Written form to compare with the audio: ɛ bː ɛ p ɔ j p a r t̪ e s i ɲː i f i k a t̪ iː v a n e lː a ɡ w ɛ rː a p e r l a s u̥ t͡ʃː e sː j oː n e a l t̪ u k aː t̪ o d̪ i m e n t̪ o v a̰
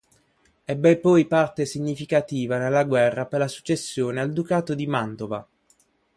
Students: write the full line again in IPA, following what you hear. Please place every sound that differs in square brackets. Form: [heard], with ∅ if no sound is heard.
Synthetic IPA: ɛ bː ɛ p ɔ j p a r t̪ e s i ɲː i f i k a t̪ iː v a n e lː a ɡ w ɛ rː a p e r l a s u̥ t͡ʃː e sː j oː n e a l [d̪] u k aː t̪ o d̪ i m [a] n t̪ o v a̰